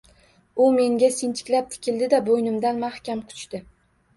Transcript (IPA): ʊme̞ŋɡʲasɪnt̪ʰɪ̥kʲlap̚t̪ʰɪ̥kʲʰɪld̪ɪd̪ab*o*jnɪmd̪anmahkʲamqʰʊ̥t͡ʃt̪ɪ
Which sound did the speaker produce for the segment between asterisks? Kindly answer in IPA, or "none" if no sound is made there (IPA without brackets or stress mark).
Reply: o